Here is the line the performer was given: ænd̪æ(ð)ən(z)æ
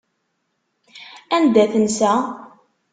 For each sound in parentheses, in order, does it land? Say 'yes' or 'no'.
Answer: no, no

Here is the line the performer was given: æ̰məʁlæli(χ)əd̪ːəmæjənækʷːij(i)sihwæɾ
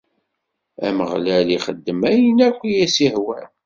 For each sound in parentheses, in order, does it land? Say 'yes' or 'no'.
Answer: yes, no

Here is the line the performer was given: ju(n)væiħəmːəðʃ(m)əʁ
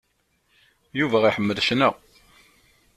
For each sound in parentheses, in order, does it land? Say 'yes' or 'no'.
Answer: no, no

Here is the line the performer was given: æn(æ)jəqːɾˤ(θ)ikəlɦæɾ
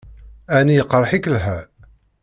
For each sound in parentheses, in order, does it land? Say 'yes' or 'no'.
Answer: no, no

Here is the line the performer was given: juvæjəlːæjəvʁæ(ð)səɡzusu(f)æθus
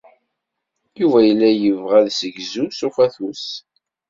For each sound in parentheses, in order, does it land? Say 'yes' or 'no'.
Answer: yes, yes

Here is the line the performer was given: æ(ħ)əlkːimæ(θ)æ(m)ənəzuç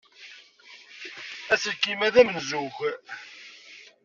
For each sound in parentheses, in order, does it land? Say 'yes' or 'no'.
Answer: no, no, yes

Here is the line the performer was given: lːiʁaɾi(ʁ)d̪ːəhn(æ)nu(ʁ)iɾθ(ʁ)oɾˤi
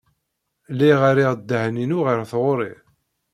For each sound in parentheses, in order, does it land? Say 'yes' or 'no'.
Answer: yes, no, yes, yes

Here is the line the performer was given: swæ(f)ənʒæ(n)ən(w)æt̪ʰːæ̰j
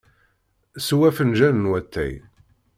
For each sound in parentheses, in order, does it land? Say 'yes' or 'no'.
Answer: yes, yes, yes

